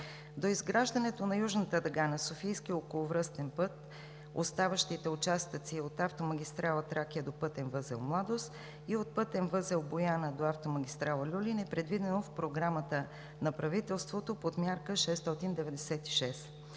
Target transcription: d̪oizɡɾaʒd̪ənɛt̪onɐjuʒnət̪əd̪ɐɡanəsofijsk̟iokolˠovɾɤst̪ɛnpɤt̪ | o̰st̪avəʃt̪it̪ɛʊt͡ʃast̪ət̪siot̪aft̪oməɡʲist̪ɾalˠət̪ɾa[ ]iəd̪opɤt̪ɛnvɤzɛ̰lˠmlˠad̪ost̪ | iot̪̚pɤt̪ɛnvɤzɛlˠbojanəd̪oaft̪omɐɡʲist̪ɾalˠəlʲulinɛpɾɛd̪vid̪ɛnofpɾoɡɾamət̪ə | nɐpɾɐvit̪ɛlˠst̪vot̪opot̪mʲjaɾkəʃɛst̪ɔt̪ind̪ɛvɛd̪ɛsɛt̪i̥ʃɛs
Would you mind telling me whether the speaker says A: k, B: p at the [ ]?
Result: A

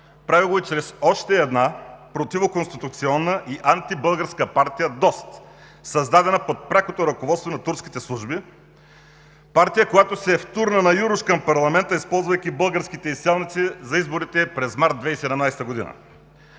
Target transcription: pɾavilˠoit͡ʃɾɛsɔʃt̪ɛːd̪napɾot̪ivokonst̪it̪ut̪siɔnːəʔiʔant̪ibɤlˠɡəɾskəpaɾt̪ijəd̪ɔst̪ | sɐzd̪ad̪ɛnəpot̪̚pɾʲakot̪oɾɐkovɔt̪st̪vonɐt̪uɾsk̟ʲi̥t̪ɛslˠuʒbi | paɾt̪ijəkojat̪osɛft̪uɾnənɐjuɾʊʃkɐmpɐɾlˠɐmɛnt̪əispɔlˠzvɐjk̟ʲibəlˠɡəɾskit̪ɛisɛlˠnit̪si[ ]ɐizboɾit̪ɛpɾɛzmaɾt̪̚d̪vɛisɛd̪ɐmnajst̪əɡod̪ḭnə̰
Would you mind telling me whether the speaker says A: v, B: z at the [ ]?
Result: B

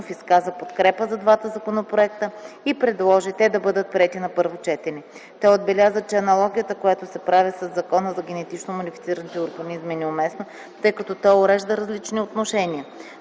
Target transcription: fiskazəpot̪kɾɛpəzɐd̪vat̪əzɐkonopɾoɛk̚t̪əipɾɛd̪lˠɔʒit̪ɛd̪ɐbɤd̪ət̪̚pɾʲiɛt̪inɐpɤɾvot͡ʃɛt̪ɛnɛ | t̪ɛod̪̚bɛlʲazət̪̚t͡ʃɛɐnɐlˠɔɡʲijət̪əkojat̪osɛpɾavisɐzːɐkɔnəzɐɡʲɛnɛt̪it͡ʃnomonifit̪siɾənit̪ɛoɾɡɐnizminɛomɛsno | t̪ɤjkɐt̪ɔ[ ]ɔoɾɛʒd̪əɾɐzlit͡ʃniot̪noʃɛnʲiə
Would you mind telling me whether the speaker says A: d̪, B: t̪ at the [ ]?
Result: B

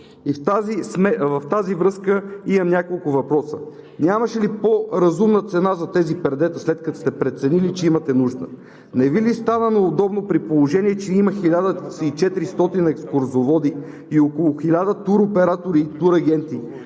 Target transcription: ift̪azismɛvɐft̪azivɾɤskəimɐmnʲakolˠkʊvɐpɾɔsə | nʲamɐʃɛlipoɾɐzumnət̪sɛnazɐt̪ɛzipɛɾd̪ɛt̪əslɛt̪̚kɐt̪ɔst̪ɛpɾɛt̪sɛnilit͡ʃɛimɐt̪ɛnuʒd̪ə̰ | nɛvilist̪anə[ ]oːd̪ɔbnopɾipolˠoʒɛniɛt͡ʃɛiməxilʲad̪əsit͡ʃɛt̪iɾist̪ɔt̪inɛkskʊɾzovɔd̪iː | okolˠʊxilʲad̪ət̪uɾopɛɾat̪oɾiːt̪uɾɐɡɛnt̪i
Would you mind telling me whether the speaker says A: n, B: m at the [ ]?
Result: A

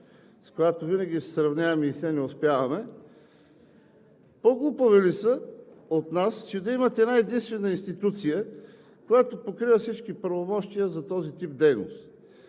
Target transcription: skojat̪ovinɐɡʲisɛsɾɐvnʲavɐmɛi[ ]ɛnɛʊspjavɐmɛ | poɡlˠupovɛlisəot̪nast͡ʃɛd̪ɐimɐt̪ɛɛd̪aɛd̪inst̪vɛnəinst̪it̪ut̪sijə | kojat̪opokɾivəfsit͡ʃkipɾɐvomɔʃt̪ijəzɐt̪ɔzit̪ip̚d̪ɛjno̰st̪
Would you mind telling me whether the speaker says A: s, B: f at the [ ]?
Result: A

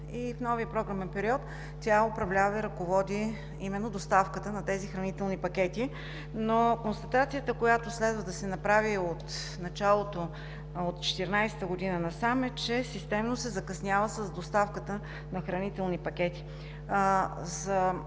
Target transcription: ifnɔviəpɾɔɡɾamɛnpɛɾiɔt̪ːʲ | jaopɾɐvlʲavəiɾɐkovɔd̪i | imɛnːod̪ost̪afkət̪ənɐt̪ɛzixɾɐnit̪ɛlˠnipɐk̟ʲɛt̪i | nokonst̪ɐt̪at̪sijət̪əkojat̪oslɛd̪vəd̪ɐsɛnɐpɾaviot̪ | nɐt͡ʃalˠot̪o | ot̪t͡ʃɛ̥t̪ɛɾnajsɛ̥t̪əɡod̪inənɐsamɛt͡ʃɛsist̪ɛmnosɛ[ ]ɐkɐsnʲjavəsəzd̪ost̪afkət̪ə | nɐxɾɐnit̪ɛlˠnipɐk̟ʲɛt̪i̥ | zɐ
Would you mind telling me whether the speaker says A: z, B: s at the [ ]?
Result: A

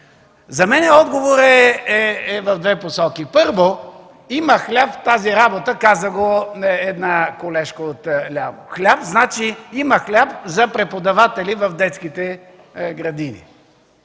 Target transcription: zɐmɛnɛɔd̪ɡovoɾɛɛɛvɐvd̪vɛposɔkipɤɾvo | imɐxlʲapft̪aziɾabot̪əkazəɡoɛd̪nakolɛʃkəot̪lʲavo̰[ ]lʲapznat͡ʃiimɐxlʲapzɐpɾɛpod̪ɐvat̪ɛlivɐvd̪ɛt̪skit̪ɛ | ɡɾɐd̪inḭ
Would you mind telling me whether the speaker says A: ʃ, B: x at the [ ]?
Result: B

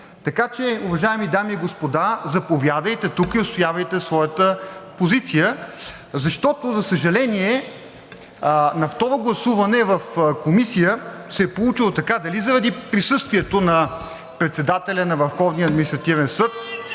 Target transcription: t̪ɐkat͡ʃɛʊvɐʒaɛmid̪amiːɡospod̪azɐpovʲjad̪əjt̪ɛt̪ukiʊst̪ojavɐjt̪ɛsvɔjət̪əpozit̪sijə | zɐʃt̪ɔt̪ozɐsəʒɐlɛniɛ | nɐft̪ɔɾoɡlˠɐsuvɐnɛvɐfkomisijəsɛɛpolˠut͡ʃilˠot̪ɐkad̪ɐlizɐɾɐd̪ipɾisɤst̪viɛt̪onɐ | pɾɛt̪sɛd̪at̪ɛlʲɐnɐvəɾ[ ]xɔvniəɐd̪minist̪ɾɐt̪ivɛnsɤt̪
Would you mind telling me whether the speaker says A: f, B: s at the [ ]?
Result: A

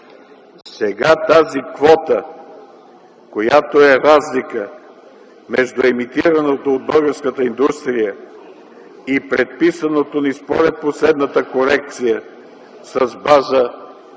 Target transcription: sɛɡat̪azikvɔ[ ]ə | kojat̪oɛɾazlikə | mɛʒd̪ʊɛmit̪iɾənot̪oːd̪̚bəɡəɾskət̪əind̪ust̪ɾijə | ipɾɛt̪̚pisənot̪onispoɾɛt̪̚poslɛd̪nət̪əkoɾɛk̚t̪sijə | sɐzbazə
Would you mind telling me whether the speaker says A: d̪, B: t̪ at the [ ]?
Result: B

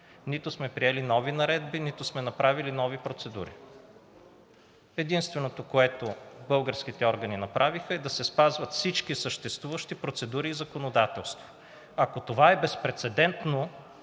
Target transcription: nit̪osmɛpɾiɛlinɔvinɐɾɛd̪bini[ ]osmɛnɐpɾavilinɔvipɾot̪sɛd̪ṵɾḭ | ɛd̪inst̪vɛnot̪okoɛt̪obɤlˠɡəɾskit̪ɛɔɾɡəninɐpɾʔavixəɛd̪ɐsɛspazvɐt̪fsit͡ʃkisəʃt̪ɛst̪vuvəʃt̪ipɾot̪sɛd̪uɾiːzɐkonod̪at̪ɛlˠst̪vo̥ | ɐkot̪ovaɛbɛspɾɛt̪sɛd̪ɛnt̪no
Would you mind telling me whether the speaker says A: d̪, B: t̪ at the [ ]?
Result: B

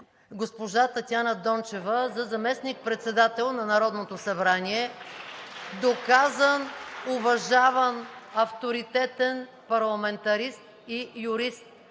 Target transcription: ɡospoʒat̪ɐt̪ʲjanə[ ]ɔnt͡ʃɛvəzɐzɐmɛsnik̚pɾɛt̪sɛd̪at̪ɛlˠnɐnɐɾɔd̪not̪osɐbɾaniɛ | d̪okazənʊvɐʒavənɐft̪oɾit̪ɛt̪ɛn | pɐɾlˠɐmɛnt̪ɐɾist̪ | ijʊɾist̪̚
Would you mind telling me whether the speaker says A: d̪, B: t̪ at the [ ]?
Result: A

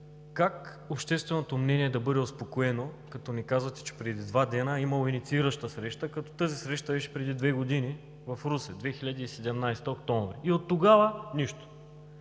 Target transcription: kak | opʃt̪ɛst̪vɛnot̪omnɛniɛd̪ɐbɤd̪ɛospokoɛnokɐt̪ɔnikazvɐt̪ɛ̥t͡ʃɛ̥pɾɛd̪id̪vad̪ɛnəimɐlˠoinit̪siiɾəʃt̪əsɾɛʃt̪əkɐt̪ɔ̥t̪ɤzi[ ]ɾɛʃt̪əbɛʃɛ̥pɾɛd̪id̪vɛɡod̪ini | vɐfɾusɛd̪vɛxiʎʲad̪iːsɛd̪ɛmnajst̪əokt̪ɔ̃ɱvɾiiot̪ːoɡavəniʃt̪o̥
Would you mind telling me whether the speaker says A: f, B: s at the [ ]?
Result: B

